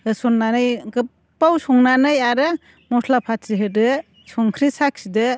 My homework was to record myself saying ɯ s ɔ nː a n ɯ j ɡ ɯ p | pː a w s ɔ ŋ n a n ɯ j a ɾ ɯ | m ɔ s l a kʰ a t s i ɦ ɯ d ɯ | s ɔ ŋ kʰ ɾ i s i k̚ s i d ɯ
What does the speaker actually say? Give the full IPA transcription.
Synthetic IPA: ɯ s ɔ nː a n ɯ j ɡ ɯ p | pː a w s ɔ ŋ n a n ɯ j a ɾ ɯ | m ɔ s l a pʰ a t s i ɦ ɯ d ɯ | s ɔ ŋ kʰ ɾ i s a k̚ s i d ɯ

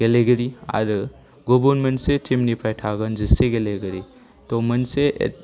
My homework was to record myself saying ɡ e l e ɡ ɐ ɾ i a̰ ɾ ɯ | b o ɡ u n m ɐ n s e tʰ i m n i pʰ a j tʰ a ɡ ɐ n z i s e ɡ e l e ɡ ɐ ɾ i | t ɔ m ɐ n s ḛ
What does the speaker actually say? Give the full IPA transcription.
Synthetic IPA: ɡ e l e ɡ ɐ ɾ i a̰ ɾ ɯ | ɡ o b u n m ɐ n s e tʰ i m n i pʰ a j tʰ a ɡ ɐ n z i s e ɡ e l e ɡ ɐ ɾ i | t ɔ m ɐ n s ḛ

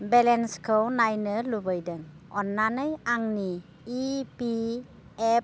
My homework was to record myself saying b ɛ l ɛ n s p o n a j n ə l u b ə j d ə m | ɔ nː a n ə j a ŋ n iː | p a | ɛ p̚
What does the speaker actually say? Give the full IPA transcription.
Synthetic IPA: b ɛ l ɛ n s k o n a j n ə l u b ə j d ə ŋ | ɔ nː a n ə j a ŋ n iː | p i | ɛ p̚

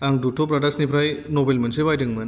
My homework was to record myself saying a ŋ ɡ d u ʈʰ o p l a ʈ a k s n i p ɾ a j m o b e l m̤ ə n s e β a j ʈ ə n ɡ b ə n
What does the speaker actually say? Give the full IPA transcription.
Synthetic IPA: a ŋ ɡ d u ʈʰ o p ɾ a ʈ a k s n i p ɾ a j n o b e l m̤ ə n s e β a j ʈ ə ŋ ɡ m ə n

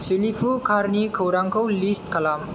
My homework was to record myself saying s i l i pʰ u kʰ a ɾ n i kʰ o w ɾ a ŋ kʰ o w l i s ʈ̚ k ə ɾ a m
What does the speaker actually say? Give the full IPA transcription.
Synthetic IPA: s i l i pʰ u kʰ a ɾ n i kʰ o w ɾ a ŋ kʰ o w l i s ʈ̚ k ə l a m

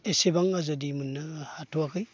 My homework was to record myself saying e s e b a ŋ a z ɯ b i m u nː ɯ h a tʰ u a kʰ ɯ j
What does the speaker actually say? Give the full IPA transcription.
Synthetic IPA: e s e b a ŋ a z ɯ d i m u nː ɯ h a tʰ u a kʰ ɯ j

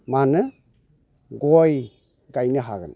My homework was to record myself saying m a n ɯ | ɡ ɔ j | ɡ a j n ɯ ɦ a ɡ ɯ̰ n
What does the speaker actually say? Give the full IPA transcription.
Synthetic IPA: m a n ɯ | ɡ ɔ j | ɡ a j n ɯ ɦ a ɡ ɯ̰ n

